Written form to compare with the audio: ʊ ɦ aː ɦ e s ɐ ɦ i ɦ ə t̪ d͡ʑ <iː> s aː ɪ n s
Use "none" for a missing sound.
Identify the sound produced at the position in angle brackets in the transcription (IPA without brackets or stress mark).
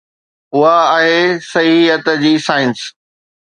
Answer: iː